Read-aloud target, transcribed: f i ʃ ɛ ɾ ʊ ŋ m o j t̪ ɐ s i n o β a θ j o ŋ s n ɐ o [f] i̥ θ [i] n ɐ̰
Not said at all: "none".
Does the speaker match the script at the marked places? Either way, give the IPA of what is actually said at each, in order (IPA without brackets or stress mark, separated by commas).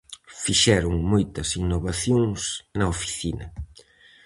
f, i